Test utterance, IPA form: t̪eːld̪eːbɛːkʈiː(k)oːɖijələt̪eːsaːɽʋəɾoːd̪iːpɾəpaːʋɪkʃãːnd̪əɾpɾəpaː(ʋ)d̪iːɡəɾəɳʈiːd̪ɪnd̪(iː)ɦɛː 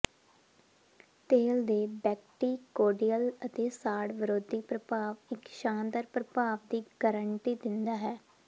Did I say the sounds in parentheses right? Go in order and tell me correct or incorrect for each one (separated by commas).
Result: correct, correct, incorrect